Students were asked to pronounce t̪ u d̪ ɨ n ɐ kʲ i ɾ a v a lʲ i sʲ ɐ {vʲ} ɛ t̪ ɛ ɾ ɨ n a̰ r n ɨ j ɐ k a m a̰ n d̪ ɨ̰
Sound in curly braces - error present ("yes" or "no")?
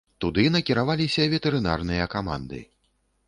no